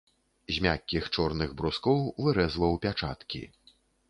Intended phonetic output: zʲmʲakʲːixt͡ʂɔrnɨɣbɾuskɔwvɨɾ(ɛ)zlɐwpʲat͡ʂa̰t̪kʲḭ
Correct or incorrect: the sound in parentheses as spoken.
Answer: correct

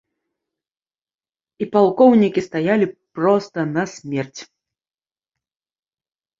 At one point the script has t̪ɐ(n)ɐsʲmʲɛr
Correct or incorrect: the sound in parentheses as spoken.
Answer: correct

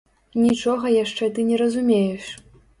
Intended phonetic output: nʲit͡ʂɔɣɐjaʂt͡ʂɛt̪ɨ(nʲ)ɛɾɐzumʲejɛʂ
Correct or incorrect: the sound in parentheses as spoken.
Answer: correct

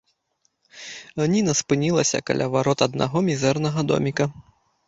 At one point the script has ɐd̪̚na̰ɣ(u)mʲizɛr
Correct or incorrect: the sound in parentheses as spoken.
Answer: incorrect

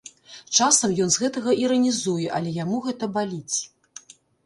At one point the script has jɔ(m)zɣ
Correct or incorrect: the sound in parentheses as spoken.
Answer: incorrect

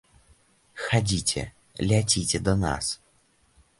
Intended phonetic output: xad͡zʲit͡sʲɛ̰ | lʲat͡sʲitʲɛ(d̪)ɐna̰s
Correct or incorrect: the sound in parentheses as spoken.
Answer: correct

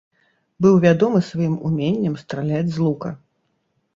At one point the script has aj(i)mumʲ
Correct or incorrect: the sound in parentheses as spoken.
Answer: correct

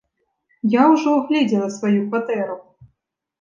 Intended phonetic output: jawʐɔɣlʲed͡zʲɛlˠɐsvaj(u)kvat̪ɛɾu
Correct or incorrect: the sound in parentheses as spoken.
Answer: correct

